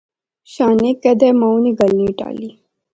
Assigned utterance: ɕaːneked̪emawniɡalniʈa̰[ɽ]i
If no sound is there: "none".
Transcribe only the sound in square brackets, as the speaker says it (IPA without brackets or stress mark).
l